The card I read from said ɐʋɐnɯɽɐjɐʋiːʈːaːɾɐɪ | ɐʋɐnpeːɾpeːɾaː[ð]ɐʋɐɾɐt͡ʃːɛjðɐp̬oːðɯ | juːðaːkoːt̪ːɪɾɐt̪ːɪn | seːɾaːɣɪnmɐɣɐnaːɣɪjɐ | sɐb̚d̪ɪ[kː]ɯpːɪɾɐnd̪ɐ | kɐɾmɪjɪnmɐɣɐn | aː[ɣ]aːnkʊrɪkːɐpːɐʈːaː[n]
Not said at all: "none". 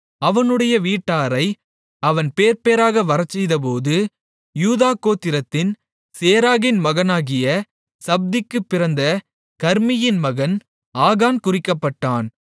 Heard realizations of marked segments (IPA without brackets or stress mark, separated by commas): ɣ, kː, ɣ, n